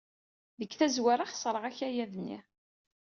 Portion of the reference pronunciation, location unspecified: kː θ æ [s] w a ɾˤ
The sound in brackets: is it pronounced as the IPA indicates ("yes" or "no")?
no